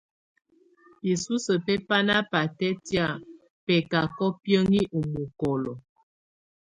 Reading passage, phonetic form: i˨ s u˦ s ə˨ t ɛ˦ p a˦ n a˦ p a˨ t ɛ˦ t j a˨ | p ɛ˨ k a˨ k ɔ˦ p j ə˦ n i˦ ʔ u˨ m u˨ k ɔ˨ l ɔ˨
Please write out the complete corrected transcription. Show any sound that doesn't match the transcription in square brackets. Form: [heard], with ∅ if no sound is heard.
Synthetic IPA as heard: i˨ s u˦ s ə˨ [p] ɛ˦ p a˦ n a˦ p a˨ t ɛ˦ t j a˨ | p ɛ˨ k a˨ k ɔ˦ p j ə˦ [ŋ] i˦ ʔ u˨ m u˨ k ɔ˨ l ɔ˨